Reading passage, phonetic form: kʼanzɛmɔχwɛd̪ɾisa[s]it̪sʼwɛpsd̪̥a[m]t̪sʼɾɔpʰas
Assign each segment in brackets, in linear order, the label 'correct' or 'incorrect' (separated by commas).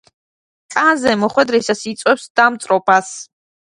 correct, correct